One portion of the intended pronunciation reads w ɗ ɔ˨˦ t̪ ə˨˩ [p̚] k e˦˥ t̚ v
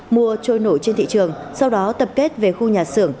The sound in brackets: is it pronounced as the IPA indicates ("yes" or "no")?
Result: yes